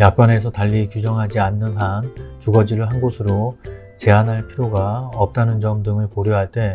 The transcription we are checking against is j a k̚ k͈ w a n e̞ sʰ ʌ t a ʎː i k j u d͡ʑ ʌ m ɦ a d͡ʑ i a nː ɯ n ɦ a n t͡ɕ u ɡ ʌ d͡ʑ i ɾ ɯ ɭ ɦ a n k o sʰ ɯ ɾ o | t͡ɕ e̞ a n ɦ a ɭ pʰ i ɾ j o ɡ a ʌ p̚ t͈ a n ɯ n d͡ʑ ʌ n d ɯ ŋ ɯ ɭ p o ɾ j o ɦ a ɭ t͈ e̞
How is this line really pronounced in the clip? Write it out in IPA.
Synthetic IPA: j a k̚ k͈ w a n e̞ sʰ ʌ t a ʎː i k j u d͡ʑ ʌ ŋ ɦ a d͡ʑ i a nː ɯ n ɦ a n t͡ɕ u ɡ ʌ d͡ʑ i ɾ ɯ ɭ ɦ a n ɡ o sʰ ɯ ɾ o | t͡ɕ e̞ a n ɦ a ɭ pʰ i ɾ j o ɡ a ʌ p̚ t͈ a n ɯ n d͡ʑ ʌ m d ɯ ŋ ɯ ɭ p o ɾ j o ɦ a ɭ t͈ e̞

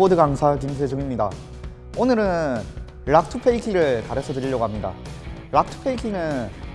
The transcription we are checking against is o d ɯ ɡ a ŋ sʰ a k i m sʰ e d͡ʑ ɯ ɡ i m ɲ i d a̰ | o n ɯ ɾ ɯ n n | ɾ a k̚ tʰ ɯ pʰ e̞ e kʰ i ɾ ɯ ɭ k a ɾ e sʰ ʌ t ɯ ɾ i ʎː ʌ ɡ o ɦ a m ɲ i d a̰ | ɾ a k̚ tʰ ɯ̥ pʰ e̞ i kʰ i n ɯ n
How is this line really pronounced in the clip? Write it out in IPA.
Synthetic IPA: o d ɯ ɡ a ŋ sʰ a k i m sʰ e d͡ʑ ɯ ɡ i m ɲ i d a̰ | o n ɯ ɾ ɯ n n | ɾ a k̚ tʰ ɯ pʰ e̞ i kʰ i ɾ ɯ ɭ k a ɾ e sʰ ʌ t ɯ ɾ i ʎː ʌ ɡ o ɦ a m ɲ i d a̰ | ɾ a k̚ tʰ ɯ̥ pʰ e̞ i kʰ i n ɯ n

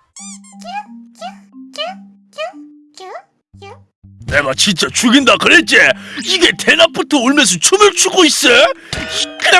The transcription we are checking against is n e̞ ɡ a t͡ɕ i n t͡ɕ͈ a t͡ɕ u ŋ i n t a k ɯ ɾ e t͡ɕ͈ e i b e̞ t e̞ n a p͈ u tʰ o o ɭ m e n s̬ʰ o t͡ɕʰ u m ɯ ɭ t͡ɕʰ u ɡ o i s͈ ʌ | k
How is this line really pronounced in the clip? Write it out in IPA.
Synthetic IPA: n e̞ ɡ a t͡ɕ i n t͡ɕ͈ a t͡ɕ u ɡ i n d a k ɯ ɾ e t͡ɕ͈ e i ɡ e̞ t e̞ n a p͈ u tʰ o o ɭ m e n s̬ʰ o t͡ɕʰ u m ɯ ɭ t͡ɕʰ u ɡ o i s͈ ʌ | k

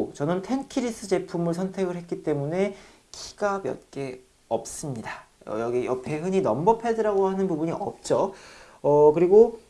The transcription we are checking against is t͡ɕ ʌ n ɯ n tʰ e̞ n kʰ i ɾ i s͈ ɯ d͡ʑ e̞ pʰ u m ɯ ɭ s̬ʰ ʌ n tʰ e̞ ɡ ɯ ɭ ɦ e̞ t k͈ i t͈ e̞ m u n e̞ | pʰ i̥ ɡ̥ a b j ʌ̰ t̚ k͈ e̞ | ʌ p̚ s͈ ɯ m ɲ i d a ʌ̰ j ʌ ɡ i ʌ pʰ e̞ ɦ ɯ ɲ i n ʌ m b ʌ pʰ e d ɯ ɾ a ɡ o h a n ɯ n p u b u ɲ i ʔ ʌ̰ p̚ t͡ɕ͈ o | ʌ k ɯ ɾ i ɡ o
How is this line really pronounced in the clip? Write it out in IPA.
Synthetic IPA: t͡ɕ ʌ n ɯ n tʰ e̞ n kʰ i ɾ i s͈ ɯ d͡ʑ e̞ pʰ u m ɯ ɭ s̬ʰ ʌ n tʰ e̞ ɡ ɯ ɭ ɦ e̞ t k͈ i t͈ e̞ m u n e̞ | kʰ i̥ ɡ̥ a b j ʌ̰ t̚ k͈ e̞ | ʌ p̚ s͈ ɯ m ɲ i d a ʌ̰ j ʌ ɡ i ʌ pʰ e̞ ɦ ɯ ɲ i n ʌ m b ʌ pʰ e d ɯ ɾ a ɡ o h a n ɯ n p u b u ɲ i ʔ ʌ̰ p̚ t͡ɕ͈ o | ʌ k ɯ ɾ i ɡ o

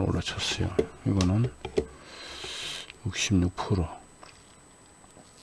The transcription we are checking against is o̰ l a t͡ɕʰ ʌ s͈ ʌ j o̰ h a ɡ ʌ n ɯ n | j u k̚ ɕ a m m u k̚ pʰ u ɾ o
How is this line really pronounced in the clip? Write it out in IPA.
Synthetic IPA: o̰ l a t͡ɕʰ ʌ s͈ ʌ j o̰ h i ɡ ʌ n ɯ n | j u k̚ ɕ i m ɲ u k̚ pʰ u ɾ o

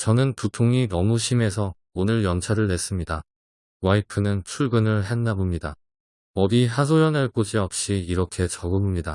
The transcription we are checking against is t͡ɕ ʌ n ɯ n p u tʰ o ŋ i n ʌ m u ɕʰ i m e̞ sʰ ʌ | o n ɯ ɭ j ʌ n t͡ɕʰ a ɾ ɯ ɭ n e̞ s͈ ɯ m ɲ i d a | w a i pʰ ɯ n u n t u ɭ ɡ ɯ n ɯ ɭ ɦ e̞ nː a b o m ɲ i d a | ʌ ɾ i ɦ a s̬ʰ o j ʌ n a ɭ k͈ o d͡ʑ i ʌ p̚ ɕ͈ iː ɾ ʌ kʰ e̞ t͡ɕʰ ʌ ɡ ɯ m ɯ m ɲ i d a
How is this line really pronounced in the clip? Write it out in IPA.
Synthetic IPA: t͡ɕ ʌ n ɯ n p u tʰ o ŋ i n ʌ m u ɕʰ i m e̞ sʰ ʌ | o n ɯ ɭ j ʌ n t͡ɕʰ a ɾ ɯ ɭ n e̞ s͈ ɯ m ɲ i d a | w a i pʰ ɯ n ɯ n t͡ɕʰ u ɭ ɡ ɯ n ɯ ɭ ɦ e̞ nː a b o m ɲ i d a | ʌ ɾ i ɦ a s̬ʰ o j ʌ n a ɭ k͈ o d͡ʑ i ʌ p̚ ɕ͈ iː ɾ ʌ kʰ e̞ t͡ɕ ʌ ɡ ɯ m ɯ m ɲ i d a

